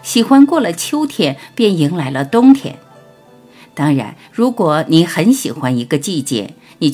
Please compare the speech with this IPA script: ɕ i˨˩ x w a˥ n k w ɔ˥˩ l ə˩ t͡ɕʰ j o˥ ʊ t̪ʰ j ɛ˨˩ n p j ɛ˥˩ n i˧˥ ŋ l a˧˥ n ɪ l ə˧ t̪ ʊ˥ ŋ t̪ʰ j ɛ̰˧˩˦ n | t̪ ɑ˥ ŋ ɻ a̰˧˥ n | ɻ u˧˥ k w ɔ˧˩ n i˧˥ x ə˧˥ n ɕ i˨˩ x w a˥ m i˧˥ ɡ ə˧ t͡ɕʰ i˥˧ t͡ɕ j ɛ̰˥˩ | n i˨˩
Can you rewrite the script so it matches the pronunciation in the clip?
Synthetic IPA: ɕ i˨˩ x w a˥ n k w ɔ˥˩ l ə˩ t͡ɕʰ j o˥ ʊ t̪ʰ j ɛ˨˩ n p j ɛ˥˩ n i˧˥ ŋ l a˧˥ ɪ l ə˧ t̪ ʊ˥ ŋ t̪ʰ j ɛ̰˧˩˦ n | t̪ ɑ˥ ŋ ɻ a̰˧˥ n | ɻ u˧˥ k w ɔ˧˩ n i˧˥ x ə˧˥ n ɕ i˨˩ x w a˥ n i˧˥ ɡ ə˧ t͡ɕ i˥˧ t͡ɕ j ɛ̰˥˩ | n i˨˩